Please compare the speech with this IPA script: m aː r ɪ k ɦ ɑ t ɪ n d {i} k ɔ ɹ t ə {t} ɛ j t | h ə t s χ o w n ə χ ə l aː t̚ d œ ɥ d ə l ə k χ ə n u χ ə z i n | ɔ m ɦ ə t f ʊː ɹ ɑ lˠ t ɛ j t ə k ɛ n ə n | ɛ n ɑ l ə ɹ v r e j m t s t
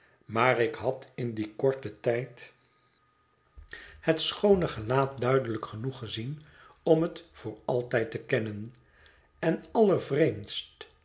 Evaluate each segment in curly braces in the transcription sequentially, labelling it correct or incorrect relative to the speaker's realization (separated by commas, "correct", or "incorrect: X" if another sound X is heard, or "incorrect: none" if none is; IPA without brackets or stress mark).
correct, correct